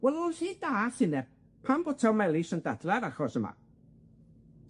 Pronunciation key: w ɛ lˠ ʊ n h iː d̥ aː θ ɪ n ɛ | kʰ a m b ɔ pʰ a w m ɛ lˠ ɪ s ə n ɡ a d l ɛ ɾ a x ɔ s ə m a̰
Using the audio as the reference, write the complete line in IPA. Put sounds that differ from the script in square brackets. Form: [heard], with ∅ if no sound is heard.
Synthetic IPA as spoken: w ɛ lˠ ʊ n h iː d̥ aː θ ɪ n ɛ | [pʰ] a m b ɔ [tʰ] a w m ɛ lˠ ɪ s ə n [d] a d l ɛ ɾ a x ɔ s ə m a̰